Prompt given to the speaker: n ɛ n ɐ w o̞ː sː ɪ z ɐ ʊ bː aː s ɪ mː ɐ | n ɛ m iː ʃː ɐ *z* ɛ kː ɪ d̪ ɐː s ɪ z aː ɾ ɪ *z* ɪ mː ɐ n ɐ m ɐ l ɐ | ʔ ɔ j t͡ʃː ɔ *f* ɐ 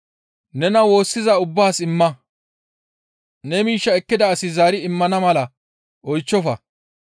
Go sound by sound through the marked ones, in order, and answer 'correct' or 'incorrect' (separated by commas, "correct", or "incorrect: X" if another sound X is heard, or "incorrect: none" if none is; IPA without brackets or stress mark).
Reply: incorrect: none, incorrect: none, correct